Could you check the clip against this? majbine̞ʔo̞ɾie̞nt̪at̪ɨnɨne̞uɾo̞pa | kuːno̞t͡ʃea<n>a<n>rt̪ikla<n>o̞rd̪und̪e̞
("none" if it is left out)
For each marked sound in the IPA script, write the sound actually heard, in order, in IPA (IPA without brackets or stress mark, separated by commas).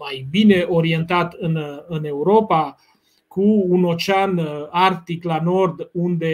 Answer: n, none, n